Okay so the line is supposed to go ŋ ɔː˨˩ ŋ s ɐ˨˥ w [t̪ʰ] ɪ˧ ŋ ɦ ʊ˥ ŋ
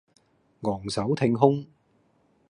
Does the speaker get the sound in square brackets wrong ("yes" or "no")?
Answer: no